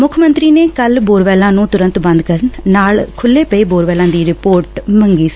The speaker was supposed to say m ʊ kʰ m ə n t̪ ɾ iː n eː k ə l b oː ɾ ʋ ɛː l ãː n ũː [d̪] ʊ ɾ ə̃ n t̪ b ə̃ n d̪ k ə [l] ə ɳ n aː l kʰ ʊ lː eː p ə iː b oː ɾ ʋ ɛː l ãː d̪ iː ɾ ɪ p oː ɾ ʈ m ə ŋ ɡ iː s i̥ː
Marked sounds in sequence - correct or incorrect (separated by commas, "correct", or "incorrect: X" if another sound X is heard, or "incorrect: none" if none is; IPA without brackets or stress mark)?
incorrect: t̪, incorrect: ɾ